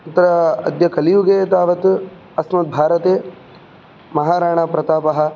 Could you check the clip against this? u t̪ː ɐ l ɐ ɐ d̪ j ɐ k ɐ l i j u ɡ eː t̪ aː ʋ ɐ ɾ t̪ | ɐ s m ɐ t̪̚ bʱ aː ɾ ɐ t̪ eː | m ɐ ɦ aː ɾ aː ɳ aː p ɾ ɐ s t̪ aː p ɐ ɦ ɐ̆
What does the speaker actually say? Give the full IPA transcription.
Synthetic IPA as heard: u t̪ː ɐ ɾ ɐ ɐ d̪ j ɐ k ɐ l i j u ɡ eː t̪ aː ʋ ɐ t̪ | ɐ s m ɐ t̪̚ bʱ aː ɾ ɐ t̪ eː | m ɐ ɦ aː ɾ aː ɳ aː p ɾ ɐ t̪ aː p ɐ ɦ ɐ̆